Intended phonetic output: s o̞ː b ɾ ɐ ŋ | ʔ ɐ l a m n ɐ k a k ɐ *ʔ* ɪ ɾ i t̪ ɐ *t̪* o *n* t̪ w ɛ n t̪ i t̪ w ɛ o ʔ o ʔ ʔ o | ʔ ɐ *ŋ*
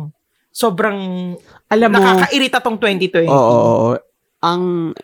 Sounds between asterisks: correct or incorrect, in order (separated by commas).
correct, correct, incorrect, correct